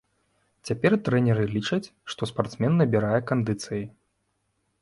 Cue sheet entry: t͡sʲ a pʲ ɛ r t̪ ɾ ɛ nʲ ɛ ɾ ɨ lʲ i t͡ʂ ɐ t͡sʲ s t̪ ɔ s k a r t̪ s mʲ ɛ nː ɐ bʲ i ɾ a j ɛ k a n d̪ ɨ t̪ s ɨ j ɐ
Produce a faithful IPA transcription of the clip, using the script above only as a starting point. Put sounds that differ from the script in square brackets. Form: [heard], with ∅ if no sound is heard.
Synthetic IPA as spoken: t͡sʲ a pʲ ɛ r t̪ ɾ ɛ nʲ ɛ ɾ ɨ lʲ i t͡ʂ ɐ t͡sʲ [ʂ] t̪ ɔ s [p] a r t̪ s mʲ ɛ nː ɐ bʲ i ɾ a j ɛ k a n d̪ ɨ t̪ s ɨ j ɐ